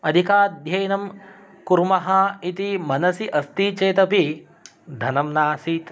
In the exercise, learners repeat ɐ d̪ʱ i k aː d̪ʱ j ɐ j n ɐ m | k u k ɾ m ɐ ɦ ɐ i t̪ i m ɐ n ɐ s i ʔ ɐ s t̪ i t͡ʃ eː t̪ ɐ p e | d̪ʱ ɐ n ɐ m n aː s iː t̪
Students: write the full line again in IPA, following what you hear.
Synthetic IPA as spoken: ɐ d̪ʱ i k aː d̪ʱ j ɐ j n ɐ m | k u ɾ m ɐ ɦ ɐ i t̪ i m ɐ n ɐ s i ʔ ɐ s t̪ i t͡ʃ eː t̪ ɐ p i | d̪ʱ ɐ n ɐ m n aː s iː t̪